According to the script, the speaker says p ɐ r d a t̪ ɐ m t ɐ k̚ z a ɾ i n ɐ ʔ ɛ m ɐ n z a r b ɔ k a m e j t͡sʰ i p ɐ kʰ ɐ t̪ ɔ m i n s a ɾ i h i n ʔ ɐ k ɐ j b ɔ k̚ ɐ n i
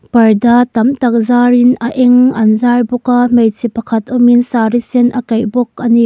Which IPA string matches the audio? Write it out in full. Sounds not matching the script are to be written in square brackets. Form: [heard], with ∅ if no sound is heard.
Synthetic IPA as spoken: p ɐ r d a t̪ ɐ m t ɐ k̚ z a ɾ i n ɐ ʔ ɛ [ŋ] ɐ n z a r b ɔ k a m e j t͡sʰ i p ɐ kʰ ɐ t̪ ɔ m i n s a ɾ i [s] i n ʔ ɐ k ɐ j b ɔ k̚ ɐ n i